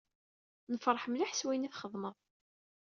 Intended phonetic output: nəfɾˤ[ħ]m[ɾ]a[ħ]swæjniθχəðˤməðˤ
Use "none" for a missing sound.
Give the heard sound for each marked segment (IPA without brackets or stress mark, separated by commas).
ħ, l, ħ